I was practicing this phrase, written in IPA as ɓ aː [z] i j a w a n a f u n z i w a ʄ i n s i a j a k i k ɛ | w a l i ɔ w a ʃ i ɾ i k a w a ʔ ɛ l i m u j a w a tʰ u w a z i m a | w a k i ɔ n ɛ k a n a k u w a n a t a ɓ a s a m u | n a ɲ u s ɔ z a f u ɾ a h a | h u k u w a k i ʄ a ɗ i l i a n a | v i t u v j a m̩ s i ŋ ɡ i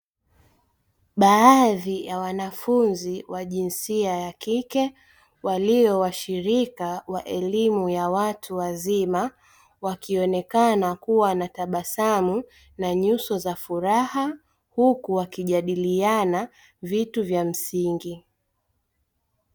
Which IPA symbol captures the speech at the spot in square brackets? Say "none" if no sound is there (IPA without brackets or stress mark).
ð